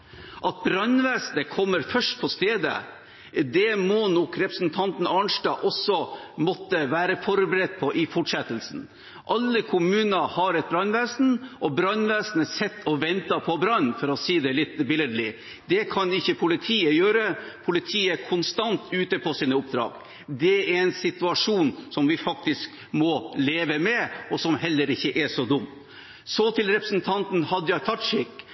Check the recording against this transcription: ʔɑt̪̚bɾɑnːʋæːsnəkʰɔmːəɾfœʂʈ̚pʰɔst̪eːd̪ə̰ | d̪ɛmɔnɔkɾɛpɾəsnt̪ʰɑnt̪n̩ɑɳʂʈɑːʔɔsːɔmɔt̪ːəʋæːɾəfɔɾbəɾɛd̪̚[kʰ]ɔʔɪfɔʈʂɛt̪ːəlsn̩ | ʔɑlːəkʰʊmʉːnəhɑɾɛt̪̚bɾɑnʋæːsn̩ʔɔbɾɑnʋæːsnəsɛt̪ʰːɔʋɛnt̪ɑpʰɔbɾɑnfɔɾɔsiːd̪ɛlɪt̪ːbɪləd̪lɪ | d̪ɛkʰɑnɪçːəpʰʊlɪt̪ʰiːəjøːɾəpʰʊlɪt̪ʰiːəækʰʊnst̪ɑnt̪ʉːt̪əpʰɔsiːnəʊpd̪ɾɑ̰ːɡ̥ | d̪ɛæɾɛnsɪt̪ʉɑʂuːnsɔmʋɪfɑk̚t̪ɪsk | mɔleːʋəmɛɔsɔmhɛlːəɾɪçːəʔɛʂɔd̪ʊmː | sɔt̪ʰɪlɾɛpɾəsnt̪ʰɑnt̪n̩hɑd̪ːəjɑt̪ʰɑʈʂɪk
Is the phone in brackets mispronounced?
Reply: yes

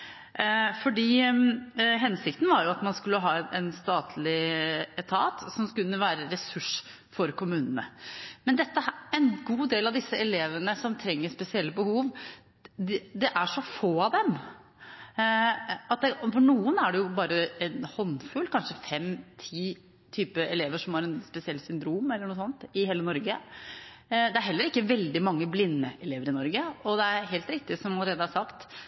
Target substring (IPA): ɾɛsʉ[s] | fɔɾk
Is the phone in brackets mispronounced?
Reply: yes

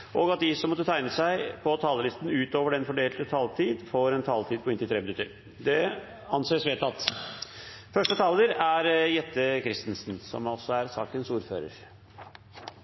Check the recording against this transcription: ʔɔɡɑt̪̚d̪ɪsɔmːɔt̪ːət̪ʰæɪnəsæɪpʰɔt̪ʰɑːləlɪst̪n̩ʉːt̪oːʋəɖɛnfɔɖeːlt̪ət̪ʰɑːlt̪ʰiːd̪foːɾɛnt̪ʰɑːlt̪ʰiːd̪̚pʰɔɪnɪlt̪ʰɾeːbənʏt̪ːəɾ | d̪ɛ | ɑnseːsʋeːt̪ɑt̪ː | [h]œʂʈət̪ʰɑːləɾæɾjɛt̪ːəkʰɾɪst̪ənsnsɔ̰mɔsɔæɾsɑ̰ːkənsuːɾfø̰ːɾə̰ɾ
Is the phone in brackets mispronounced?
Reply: yes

